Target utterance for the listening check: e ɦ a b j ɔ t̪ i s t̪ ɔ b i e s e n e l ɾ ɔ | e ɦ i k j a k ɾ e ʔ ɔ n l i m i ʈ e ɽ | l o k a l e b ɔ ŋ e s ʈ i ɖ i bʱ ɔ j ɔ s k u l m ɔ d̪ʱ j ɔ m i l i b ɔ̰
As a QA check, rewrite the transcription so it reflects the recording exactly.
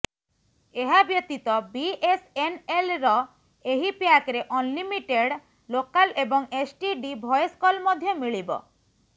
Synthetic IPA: e ɦ a b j ɔ t̪ i t̪ ɔ b i e s e n e l ɾ ɔ | e ɦ i p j a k ɾ e ʔ ɔ n l i m i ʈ e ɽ | l o k a l e b ɔ ŋ e s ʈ i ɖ i bʱ ɔ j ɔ s k ɔ l m ɔ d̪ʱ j ɔ m i ɭ i b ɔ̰